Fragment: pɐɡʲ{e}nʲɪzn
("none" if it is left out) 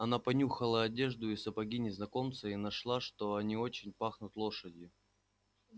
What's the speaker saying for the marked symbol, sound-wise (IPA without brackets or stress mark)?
i